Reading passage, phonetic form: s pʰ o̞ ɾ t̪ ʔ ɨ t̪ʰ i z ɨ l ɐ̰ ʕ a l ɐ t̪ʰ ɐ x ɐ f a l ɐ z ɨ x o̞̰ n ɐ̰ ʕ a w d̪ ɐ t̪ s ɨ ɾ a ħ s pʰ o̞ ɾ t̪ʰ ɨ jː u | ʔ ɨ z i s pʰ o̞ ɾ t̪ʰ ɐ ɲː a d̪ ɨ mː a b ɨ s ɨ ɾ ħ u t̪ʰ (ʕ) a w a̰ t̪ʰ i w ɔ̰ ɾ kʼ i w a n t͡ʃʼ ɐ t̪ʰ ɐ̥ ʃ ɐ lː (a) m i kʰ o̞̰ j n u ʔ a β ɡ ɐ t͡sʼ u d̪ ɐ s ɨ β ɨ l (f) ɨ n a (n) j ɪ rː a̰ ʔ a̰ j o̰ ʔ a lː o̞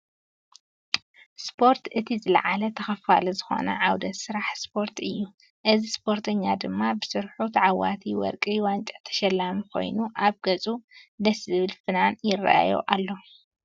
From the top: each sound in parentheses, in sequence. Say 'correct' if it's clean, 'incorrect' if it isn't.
correct, correct, correct, correct

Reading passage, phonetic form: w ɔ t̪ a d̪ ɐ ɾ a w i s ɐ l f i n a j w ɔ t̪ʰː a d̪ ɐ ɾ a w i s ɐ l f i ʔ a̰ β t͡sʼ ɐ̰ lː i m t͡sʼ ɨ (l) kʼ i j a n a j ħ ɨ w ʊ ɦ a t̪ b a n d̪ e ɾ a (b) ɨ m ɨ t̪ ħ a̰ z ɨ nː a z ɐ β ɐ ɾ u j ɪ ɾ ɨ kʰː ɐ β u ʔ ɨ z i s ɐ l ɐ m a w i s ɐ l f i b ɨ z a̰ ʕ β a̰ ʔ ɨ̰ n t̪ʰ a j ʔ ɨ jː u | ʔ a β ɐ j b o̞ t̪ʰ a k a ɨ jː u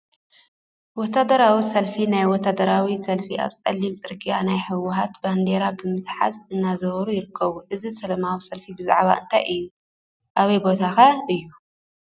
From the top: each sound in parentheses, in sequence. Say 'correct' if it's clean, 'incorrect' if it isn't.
incorrect, correct

